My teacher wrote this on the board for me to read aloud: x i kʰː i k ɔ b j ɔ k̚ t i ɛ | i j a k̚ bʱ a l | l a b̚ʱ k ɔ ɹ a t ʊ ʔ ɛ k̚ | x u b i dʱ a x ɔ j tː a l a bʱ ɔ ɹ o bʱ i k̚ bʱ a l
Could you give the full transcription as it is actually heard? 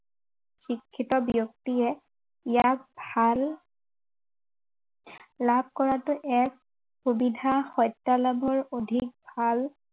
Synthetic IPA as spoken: x i kʰː i t ɔ b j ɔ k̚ t i ɛ | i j a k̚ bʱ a l | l a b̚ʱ k ɔ ɹ a t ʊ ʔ ɛ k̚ | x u b i dʱ a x ɔ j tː a l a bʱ ɔ ɹ o dʱ i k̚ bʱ a l